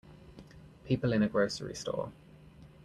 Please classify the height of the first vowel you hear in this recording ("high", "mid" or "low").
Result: high